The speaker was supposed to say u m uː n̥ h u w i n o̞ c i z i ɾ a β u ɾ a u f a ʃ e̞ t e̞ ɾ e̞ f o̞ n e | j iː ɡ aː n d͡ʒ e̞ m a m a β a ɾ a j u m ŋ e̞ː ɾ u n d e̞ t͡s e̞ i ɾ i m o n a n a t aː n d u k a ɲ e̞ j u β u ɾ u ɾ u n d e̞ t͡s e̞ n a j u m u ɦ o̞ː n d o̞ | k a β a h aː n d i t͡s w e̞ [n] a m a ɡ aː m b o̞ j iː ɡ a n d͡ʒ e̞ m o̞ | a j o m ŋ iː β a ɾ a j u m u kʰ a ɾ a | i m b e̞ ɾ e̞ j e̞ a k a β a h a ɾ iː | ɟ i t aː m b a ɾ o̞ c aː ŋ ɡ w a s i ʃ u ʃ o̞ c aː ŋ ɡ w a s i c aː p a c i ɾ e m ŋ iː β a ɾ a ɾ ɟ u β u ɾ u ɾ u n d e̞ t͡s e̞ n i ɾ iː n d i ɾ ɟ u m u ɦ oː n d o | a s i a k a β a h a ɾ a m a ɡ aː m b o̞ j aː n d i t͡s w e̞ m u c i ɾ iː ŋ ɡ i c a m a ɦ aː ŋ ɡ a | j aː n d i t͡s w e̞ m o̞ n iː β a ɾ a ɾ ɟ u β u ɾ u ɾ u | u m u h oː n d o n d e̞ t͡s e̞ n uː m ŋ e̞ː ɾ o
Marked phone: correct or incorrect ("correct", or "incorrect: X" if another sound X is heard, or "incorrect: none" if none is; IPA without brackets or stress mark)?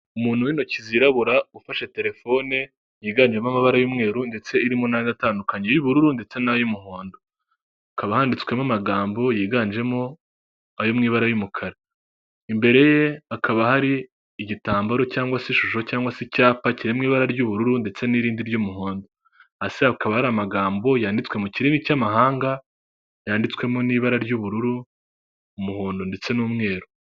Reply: incorrect: m